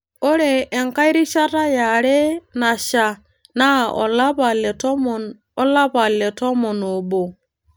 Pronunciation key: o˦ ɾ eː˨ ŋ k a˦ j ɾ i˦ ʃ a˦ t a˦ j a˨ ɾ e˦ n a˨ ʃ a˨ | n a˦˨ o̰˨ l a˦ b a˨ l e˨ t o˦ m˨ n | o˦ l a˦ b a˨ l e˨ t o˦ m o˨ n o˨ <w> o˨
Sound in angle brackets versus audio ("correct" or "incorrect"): incorrect